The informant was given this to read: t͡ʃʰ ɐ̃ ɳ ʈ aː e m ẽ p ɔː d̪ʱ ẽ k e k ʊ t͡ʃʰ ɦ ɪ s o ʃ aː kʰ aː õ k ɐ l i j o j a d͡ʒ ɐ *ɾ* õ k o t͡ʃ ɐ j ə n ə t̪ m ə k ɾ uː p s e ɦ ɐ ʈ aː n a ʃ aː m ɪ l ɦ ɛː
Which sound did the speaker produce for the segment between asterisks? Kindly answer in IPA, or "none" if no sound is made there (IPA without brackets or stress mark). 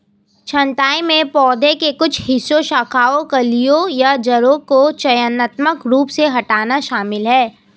ɾ